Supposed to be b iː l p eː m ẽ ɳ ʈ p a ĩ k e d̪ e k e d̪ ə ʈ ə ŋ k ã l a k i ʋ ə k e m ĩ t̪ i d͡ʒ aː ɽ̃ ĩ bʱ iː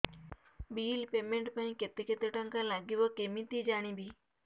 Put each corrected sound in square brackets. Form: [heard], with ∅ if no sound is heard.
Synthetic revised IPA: b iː l p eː m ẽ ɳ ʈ p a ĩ k e [t̪] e k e [t̪] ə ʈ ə ŋ k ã l a [ɡ] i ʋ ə k e m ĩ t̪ i d͡ʒ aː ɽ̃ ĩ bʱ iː